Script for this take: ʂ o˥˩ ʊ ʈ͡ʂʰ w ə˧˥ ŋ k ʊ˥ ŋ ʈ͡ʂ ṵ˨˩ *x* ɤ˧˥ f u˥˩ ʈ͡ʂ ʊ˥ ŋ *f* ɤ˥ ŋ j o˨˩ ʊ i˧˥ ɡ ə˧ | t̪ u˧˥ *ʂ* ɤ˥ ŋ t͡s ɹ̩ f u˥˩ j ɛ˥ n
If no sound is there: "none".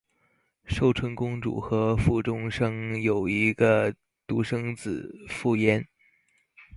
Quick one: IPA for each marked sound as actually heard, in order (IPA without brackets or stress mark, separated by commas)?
x, ʂ, ʂ